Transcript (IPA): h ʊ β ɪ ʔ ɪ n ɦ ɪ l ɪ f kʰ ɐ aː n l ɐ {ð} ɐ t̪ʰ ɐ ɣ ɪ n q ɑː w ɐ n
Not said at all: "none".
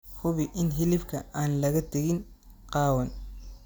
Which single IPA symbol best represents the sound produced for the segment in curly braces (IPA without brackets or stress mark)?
ɣ